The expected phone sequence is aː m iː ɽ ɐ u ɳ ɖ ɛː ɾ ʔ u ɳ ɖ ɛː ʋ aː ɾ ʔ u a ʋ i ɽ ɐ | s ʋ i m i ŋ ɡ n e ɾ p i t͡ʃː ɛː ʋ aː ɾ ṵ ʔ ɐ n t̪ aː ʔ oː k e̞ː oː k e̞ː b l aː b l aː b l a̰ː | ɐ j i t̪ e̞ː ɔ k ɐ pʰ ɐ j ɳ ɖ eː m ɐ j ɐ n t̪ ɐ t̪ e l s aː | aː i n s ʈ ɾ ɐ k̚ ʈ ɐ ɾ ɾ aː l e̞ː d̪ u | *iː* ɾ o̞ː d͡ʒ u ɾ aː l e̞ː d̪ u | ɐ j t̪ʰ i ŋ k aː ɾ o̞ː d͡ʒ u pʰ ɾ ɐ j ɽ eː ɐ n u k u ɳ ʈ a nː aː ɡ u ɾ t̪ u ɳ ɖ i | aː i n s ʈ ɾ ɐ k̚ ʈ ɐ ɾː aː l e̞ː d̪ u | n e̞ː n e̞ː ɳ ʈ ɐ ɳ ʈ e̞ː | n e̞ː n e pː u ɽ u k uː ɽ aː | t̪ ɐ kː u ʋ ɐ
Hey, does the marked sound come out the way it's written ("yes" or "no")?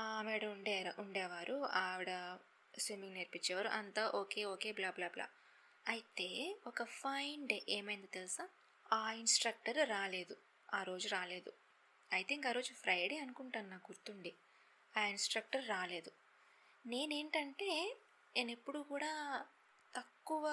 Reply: no